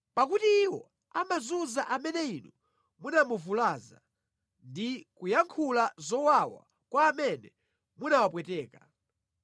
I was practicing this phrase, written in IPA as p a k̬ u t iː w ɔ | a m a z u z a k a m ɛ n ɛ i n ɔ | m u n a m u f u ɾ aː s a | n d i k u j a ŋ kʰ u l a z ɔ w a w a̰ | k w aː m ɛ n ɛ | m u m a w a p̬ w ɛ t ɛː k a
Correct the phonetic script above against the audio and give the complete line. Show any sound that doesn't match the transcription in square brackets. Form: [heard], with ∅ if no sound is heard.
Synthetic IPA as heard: p a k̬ u t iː w ɔ | a m a z u z a [ʔ] a m ɛ n ɛ i n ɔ | m u n a m u [v] u [l] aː [z] a | n d i k u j a ŋ kʰ u l a z ɔ w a w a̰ | k w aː m ɛ n ɛ | m u [n] a w a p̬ w ɛ t ɛː k a